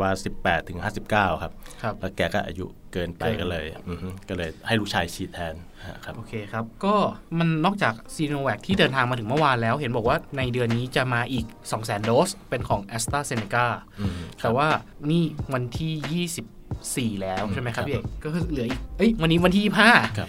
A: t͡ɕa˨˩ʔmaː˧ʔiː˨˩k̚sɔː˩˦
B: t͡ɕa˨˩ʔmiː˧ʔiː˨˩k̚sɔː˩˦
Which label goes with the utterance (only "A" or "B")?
A